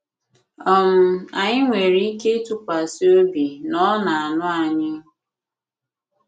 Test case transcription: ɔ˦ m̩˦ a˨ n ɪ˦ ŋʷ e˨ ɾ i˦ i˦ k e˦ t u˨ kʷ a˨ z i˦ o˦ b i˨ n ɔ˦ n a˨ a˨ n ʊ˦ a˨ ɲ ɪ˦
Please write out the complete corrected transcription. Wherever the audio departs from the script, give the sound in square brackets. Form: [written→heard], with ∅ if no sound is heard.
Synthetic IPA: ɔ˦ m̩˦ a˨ [n→ɲ] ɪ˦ ŋʷ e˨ ɾ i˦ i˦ k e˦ t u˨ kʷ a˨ [z→s] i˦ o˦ b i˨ n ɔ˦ n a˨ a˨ n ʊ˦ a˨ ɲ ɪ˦